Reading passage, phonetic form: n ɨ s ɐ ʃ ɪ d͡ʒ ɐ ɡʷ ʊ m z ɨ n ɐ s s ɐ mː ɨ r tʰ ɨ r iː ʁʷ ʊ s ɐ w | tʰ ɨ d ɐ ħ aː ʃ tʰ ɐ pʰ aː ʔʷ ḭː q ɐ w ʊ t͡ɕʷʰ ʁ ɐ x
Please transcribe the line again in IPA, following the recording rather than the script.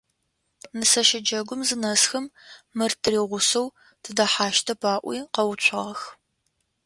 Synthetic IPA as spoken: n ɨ s ɐ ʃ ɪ d͡ʒ ɐ ɡʷ ʊ m z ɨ n ɐ s x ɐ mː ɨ r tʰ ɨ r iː ʁʷ ʊ s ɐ w | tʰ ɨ d ɐ ħ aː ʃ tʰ ɐ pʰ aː ʔʷ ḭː q ɐ w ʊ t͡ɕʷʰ ʁ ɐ x

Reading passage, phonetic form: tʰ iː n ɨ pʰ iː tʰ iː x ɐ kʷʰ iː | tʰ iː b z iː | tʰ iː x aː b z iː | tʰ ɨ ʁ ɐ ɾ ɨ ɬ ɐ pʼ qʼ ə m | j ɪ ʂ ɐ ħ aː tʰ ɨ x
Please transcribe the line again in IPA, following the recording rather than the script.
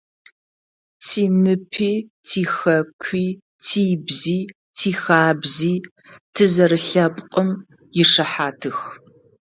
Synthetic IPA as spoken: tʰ iː n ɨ pʰ iː tʰ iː x ɐ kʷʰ iː | tʰ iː b z iː | tʰ iː x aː b z iː | tʰ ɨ z ɐ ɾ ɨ ɬ ɐ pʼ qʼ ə m | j ɪ ʂ ɐ ħ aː tʰ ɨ x

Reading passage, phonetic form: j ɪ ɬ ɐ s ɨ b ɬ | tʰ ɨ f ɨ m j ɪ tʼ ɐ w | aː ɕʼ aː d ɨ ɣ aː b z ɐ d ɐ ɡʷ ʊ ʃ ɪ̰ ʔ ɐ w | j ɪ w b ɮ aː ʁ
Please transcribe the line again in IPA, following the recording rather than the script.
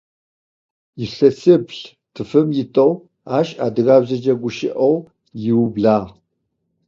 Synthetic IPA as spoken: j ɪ ɬ ɐ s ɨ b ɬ | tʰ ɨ f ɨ m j ɪ tʼ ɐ w | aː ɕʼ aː d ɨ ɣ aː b z ɐ d͡ʒ ɐ ɡʷ ʊ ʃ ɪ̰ ʔ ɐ w | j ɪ w b ɮ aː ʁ

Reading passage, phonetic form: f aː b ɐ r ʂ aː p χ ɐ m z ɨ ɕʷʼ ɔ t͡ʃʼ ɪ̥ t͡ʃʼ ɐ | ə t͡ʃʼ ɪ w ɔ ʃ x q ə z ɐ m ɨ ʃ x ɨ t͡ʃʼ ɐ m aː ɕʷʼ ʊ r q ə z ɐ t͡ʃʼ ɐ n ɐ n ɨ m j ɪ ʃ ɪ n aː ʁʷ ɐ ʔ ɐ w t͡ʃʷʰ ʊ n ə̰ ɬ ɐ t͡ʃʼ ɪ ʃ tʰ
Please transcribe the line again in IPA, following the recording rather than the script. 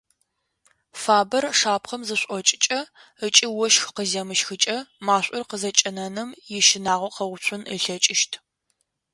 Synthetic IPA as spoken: f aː b ɐ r ʂ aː p χ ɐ m z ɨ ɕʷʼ ɔ t͡ʃʼ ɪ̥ t͡ʃʼ ɐ | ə t͡ʃʼ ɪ w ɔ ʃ x q ə z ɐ m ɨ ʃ x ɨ t͡ʃʼ ɐ m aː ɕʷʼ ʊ r q ə z ɐ t͡ʃʼ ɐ n ɐ n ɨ m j ɪ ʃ ɪ n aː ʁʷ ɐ q ɐ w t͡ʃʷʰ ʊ n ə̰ ɬ ɐ t͡ʃʼ ɪ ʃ tʰ

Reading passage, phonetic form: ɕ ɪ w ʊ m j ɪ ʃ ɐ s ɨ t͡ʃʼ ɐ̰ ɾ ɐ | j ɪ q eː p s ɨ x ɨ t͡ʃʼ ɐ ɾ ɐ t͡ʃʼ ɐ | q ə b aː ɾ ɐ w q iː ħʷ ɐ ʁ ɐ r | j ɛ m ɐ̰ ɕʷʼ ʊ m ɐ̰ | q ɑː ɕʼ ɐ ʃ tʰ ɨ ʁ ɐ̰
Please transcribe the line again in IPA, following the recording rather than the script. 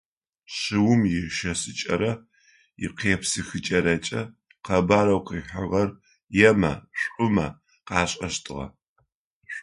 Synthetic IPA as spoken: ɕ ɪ w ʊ m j ɪ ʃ ɐ s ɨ t͡ʃʼ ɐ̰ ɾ ɐ | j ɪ q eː p s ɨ x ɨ t͡ʃʼ ɐ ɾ ɐ t͡ʃʼ ɐ | q ɐ b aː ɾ ɐ w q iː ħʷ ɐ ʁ ɐ r | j ɛ m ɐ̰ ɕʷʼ ʊ m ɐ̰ | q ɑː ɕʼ ɐ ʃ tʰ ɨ ʁ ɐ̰

